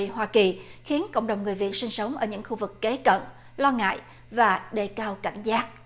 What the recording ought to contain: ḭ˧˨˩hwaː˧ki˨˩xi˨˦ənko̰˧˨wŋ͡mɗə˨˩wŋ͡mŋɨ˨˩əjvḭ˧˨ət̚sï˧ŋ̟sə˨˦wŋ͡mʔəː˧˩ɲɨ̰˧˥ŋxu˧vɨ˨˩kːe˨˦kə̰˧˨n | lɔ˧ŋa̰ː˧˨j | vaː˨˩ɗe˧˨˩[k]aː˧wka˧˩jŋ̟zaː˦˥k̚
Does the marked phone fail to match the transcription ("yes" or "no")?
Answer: no